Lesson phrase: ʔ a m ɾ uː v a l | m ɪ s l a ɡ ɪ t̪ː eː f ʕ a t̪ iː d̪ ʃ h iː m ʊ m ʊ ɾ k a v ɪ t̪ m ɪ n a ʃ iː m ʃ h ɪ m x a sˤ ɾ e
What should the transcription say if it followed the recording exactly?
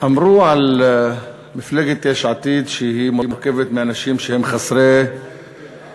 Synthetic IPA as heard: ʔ a m ɾ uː ʕ a l | m ɪ f l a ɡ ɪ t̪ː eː ʃ ʕ a t̪ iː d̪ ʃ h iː m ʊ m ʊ ɾ k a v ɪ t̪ m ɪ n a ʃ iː m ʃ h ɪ m x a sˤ ɾ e